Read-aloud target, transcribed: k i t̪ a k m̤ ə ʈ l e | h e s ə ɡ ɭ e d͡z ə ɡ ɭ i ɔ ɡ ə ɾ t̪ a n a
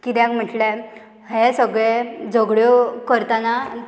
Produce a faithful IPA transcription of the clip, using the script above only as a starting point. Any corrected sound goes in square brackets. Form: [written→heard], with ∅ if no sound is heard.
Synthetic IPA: k i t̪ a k m̤ ə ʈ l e | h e s ə ɡ ɭ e d͡z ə ɡ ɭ [i→j] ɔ [ɡ→k] ə ɾ t̪ a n a

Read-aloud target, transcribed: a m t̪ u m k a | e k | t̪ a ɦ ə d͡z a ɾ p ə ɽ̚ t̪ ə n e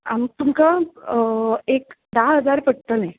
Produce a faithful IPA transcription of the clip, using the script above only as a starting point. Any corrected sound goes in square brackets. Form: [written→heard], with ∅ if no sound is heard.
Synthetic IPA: a m t̪ u m k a | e k | [t̪→d̪] a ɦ ə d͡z a ɾ p ə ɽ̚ t̪ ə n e

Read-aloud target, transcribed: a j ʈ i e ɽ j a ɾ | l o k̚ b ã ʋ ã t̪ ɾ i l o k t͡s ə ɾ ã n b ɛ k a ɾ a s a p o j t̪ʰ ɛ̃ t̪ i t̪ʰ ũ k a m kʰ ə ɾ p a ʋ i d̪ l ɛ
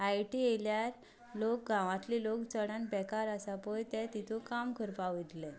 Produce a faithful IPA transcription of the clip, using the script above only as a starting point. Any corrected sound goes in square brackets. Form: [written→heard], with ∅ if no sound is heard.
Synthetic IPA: a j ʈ i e [ɽ→l] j a ɾ | l o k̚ [b→ɡ] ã ʋ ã t̪ [ɾ→l] i l o k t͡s ə [ɾ→ɽ] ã n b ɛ k a ɾ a s a p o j [t̪ʰ→t̪] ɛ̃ t̪ i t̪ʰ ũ k a m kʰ ə ɾ p a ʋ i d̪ l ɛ

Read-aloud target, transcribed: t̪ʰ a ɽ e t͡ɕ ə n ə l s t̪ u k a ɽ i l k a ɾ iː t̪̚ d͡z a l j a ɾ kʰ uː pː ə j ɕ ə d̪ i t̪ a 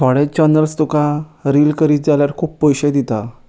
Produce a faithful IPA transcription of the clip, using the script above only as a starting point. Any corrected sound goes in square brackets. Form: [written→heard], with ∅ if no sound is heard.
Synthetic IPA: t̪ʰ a ɽ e t͡ɕ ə n ə l s t̪ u k a [ɽ→ɾ] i l k [a→ə] ɾ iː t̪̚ d͡z a l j a ɾ kʰ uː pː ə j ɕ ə d̪ i t̪ a

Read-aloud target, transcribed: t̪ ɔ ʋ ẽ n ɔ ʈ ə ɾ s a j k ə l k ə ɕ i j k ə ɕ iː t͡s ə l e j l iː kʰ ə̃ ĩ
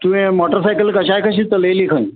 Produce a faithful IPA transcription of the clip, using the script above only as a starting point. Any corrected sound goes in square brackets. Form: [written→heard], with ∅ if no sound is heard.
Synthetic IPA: t̪ [ɔ→u] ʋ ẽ [n→m] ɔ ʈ ə ɾ s a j k ə l k ə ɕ [i→a] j k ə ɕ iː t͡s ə l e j l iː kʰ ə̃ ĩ

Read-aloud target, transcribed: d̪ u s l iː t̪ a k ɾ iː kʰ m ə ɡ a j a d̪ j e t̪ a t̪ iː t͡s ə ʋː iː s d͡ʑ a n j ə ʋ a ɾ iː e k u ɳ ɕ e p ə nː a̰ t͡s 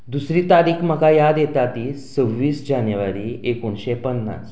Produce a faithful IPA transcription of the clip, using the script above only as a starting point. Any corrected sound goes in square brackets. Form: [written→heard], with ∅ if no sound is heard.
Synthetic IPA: d̪ u s [l→ɾ] iː t̪ a [k→∅] ɾ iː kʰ m ə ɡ a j a d̪ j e t̪ a t̪ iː t͡s ə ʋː iː s d͡ʑ a n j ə ʋ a ɾ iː e k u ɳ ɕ e p ə nː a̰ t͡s

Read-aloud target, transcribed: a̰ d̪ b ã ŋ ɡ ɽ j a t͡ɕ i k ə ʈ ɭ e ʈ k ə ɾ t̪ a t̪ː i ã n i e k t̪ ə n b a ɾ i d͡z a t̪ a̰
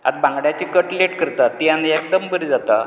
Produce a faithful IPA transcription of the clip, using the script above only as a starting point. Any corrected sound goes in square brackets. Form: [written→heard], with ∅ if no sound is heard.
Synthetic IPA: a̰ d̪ b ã ŋ ɡ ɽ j a t͡ɕ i k ə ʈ [ɭ→l] e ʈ k ə ɾ t̪ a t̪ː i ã n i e k [t̪→d̪] ə [n→m] b [a→ə] ɾ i d͡z a t̪ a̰

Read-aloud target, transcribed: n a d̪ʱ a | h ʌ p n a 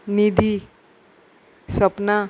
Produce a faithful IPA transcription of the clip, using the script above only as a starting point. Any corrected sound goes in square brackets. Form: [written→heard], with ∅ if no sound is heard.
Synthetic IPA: n [a→i] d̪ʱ [a→i] | [h→s] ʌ p n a

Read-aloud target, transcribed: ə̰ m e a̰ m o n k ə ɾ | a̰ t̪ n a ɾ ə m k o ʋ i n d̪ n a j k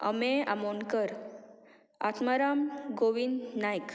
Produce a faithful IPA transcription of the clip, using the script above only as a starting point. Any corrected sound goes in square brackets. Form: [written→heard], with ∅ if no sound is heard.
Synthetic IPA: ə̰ m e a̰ m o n k ə ɾ | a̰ t̪ [n→m] a ɾ [ə→a] m [k→ɡ] o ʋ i n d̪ n a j k

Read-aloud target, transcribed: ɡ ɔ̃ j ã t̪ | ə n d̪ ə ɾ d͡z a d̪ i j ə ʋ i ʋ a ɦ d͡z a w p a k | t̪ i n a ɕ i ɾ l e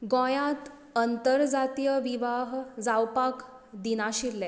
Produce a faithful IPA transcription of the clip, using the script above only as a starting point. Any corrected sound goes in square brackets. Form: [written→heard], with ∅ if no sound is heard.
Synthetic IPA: ɡ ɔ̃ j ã t̪ | ə n [d̪→t̪] ə ɾ d͡z a [d̪→t̪] i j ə ʋ i ʋ a ɦ d͡z a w p a k | [t̪→d̪] i n a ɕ i ɾ l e

